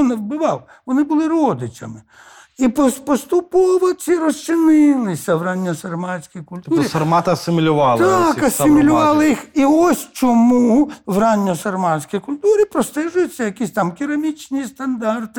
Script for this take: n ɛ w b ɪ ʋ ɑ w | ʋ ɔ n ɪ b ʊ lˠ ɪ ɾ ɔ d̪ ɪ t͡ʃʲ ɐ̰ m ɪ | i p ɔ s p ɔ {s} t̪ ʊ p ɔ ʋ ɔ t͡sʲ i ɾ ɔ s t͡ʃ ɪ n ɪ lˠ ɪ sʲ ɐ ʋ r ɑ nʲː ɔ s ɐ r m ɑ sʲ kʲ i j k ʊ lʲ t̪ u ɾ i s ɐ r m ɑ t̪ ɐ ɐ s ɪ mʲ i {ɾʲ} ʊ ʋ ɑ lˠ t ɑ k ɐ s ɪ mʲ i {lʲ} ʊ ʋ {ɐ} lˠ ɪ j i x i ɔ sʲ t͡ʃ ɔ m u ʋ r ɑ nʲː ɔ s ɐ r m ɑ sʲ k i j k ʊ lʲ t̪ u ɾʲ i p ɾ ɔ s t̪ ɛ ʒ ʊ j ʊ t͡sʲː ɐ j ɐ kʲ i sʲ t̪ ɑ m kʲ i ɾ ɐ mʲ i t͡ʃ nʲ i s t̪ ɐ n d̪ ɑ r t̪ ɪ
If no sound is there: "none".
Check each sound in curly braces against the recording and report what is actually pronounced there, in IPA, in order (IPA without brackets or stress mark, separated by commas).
s, lʲ, lʲ, ɑ